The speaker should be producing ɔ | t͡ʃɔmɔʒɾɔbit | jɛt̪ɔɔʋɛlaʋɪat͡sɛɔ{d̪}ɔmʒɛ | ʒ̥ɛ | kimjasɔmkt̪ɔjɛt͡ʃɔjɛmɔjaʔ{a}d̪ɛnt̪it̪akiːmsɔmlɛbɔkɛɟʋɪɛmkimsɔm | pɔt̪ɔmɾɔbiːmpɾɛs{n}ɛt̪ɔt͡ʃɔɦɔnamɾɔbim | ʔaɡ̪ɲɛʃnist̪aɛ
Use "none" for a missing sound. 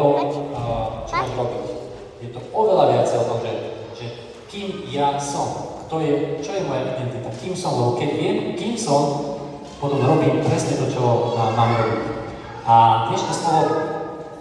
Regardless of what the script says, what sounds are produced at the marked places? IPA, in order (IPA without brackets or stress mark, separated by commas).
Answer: t̪, i, ɲ